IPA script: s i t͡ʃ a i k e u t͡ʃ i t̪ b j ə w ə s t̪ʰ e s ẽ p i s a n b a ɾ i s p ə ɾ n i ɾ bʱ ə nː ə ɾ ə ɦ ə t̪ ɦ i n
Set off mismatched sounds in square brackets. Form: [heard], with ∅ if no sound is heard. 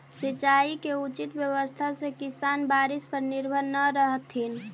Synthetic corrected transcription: s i t͡ʃ a i k e u t͡ʃ i t̪ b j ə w ə s t̪ʰ [a] s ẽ [k] i s a n b a ɾ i s p ə ɾ n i ɾ bʱ ə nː ə ɾ ə ɦ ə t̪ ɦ i n